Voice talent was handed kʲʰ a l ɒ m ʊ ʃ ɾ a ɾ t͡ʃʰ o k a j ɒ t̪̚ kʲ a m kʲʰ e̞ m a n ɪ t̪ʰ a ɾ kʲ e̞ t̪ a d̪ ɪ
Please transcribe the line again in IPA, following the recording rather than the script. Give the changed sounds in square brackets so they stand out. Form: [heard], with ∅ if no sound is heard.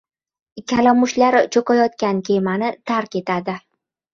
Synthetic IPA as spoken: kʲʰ a l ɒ m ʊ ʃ [l] a ɾ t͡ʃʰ o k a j ɒ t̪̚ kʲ a [n] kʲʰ e̞ m a n ɪ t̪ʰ a ɾ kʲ e̞ t̪ a d̪ ɪ